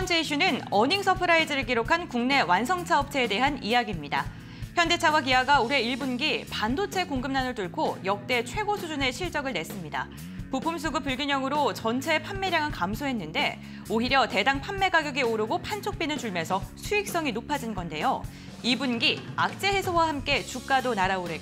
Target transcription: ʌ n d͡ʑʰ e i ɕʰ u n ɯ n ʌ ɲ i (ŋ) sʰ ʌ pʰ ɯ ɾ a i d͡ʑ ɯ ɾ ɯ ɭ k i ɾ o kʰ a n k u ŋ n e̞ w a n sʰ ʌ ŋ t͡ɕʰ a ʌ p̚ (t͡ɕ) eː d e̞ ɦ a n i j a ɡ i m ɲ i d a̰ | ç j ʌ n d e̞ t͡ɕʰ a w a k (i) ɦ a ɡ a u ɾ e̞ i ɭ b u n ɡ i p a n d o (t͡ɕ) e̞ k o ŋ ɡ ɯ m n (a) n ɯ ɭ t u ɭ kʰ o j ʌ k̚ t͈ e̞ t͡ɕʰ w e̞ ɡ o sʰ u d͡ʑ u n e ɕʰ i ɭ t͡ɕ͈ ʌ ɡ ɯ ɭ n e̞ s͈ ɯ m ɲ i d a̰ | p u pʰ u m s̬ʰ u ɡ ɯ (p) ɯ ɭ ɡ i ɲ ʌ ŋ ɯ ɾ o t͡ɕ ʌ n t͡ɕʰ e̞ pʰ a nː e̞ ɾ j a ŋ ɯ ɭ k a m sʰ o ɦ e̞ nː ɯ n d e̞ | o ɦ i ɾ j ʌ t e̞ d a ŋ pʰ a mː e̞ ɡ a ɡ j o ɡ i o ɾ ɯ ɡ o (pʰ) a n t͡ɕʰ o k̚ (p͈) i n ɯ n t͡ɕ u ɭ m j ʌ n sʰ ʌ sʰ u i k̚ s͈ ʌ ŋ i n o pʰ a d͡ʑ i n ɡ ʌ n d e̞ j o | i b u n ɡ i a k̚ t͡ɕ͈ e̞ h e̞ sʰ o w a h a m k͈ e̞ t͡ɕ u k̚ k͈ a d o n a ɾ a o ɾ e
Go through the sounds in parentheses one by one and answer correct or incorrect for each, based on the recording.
correct, incorrect, correct, incorrect, correct, correct, correct, correct

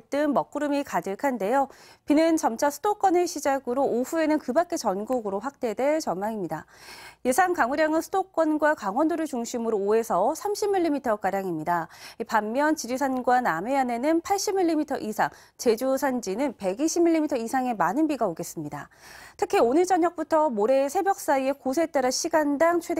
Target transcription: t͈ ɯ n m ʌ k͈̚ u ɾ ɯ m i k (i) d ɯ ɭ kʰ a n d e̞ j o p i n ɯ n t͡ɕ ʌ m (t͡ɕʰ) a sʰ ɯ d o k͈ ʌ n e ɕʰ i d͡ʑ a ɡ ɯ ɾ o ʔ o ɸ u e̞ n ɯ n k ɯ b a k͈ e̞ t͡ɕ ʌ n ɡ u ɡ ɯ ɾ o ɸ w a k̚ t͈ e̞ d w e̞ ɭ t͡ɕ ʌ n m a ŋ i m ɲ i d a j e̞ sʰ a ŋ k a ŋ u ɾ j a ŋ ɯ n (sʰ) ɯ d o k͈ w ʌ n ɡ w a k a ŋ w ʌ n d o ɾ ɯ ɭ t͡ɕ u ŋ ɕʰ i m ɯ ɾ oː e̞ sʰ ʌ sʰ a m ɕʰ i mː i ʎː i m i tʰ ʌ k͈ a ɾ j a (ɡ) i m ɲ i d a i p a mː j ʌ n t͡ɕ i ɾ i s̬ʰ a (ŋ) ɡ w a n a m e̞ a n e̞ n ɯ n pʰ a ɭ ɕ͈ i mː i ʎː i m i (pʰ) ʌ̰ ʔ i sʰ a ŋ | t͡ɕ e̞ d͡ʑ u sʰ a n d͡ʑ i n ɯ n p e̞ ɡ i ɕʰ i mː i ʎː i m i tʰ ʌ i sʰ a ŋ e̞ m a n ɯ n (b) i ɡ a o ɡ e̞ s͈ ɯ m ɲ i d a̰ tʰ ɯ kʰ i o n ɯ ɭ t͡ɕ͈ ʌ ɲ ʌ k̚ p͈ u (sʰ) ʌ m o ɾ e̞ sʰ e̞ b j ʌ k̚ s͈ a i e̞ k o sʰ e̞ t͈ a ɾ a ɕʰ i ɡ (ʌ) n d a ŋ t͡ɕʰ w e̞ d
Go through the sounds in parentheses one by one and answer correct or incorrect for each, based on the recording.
incorrect, correct, correct, incorrect, incorrect, incorrect, correct, incorrect, incorrect

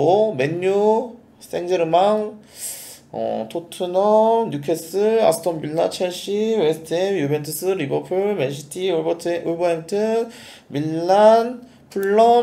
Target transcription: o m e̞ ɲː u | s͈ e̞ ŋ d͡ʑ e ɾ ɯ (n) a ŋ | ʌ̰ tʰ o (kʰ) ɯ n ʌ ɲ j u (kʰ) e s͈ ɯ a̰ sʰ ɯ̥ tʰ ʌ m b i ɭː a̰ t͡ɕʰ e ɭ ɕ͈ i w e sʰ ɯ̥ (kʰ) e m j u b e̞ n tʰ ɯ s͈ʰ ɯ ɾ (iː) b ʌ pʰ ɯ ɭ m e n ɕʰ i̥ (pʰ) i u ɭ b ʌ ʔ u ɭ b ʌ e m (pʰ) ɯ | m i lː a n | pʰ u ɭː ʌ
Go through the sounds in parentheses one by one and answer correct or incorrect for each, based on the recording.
incorrect, incorrect, correct, incorrect, incorrect, incorrect, incorrect

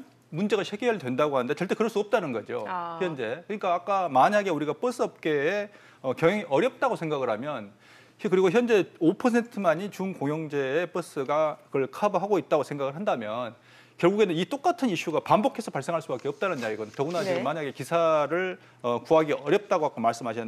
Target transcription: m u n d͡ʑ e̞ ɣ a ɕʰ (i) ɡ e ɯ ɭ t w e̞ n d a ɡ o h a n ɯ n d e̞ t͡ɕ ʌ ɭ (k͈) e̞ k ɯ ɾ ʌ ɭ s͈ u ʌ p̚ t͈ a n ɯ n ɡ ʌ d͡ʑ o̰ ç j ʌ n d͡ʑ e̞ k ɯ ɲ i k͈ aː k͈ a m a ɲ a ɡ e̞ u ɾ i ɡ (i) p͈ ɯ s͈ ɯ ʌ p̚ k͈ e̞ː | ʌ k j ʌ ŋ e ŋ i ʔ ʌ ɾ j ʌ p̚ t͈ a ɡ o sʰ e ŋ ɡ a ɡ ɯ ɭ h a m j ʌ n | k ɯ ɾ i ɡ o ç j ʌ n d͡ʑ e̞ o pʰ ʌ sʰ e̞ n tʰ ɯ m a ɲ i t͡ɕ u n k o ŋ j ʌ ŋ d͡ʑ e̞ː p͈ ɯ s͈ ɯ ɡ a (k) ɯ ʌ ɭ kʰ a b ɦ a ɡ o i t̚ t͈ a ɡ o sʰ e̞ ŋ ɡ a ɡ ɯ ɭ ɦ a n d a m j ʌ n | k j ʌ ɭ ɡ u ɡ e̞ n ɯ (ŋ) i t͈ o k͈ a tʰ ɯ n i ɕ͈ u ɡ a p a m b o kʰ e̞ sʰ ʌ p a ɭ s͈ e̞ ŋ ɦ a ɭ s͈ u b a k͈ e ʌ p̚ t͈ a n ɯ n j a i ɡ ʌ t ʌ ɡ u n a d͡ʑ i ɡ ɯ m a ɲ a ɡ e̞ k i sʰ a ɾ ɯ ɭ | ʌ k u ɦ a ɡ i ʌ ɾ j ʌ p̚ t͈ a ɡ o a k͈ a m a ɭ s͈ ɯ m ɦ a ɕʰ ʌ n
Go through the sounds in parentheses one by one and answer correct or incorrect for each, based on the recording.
incorrect, incorrect, incorrect, correct, incorrect

